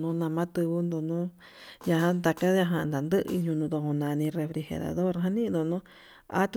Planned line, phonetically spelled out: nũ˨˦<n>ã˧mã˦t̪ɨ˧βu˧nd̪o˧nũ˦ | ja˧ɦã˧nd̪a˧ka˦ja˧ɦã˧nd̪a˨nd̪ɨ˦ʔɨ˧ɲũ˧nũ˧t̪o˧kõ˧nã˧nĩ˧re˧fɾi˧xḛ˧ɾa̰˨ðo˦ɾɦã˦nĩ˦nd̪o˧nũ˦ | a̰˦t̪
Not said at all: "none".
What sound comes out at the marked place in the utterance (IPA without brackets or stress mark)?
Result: n